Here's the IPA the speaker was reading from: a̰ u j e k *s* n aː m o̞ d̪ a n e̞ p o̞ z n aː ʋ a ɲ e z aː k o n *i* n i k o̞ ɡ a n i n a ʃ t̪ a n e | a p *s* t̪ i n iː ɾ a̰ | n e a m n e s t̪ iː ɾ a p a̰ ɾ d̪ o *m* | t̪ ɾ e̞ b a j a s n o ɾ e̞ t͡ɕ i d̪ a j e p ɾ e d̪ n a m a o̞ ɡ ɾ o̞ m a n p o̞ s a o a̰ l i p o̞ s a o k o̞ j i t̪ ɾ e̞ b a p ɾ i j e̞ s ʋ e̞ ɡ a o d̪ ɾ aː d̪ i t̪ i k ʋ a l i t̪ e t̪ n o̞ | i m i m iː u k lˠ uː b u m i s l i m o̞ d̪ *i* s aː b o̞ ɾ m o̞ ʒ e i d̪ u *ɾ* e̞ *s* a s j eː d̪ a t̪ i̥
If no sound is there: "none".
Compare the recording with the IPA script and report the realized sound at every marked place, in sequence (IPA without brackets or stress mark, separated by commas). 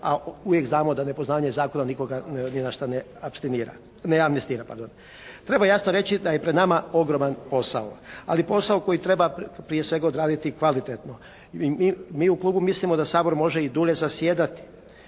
z, a, s, n, a, ʎ, z